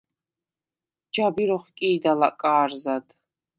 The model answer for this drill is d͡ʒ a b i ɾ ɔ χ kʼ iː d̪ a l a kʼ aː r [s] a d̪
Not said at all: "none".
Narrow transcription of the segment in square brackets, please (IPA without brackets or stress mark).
z